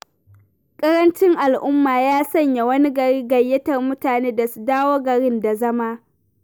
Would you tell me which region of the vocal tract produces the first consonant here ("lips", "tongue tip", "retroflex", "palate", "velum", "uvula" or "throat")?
velum